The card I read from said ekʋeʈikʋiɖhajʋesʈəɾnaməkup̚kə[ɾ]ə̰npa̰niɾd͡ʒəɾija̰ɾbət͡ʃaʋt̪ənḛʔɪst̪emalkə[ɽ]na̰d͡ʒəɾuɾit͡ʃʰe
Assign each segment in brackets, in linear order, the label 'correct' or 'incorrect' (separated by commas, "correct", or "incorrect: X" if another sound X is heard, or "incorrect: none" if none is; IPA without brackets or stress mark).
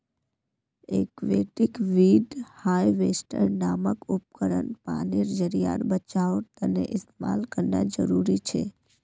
correct, incorrect: ɾ